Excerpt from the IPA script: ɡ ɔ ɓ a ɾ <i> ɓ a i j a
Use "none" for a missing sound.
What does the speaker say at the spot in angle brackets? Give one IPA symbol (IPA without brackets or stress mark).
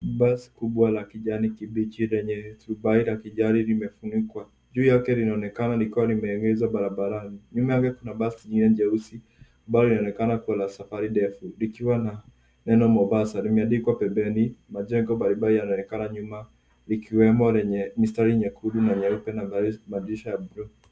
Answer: i